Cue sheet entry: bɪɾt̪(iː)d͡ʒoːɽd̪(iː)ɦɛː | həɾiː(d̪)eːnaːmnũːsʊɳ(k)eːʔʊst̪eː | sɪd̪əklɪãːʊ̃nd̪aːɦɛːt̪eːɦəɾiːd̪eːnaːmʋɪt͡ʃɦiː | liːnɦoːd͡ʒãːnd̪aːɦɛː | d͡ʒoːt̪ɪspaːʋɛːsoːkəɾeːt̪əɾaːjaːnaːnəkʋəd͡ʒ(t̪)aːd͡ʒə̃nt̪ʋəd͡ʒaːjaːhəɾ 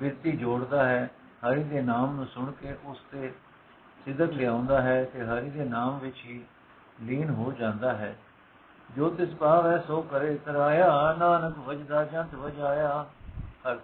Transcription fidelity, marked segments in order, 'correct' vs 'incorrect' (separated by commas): correct, incorrect, correct, correct, incorrect